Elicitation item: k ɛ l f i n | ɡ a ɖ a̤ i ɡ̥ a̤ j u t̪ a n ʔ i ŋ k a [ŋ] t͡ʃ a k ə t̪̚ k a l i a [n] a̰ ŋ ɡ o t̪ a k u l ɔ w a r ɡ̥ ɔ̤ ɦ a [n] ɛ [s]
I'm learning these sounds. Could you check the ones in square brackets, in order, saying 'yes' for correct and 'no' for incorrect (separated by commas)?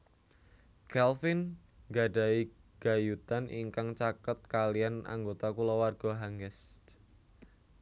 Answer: yes, yes, no, yes